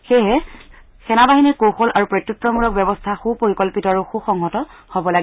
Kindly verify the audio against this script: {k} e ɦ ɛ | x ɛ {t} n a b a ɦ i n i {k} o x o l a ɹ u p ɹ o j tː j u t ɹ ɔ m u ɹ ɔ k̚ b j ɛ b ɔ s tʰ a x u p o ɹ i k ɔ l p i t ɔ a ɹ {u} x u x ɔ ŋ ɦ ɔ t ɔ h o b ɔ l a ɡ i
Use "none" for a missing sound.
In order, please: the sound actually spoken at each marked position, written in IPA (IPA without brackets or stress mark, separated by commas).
x, none, k, u